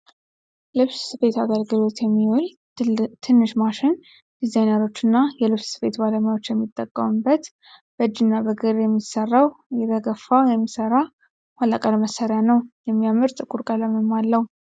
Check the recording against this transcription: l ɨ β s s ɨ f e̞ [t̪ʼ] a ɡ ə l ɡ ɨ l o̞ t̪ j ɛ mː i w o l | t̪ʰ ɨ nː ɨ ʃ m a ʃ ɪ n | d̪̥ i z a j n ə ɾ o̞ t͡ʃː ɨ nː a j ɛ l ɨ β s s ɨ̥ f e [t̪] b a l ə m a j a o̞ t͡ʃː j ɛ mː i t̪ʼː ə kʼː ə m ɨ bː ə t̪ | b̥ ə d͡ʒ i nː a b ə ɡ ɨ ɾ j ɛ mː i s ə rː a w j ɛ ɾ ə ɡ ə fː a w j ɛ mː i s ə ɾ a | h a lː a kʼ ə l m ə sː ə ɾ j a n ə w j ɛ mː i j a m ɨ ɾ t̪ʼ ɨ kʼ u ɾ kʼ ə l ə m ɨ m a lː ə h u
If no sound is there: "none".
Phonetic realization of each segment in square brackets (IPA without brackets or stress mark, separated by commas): t̪, t̪